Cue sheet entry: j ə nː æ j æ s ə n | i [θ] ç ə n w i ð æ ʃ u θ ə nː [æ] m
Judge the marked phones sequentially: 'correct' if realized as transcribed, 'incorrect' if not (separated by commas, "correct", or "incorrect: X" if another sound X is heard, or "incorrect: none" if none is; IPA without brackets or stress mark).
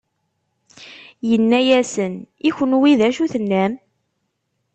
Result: incorrect: none, correct